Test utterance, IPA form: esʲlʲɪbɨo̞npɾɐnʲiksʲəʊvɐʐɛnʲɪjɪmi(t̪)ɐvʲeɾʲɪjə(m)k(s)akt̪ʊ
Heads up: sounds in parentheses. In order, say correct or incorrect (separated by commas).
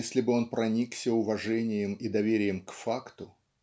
incorrect, correct, incorrect